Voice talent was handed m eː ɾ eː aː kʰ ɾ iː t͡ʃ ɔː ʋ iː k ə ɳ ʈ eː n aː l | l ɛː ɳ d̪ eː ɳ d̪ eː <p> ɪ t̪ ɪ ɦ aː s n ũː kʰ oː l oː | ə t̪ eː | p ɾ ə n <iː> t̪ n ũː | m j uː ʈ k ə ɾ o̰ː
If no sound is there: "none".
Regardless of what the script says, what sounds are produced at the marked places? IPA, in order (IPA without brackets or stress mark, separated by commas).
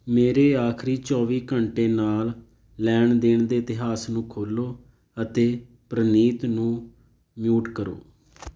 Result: none, iː